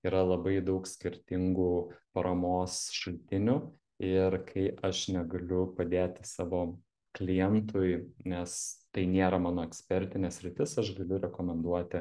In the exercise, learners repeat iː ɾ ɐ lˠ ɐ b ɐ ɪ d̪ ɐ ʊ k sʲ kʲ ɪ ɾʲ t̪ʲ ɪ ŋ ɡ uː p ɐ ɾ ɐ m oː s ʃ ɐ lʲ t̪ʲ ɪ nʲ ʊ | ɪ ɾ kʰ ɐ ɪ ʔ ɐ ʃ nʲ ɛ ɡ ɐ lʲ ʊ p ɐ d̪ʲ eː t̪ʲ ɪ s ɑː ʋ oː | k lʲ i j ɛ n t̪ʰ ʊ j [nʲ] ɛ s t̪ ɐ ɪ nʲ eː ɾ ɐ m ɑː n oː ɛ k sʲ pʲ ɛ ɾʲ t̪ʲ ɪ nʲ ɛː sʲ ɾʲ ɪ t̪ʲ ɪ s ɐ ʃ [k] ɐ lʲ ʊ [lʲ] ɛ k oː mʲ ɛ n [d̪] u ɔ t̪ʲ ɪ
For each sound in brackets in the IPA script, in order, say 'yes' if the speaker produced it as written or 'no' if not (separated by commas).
yes, no, no, yes